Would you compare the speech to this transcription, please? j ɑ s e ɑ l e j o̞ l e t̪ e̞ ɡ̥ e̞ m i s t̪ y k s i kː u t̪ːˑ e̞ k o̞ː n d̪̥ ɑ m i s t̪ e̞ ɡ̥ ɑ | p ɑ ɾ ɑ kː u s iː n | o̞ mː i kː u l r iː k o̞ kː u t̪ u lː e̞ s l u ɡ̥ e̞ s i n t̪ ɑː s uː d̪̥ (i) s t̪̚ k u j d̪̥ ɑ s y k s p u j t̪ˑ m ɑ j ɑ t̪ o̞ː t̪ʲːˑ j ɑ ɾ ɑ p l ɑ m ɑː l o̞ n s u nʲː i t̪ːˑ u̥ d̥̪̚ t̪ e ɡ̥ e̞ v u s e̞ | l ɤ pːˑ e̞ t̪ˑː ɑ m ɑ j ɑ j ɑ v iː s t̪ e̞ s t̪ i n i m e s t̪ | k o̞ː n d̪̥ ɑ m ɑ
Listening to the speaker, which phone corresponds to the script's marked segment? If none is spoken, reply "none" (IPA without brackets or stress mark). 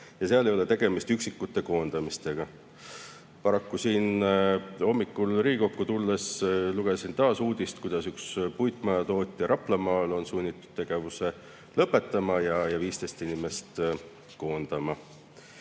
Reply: i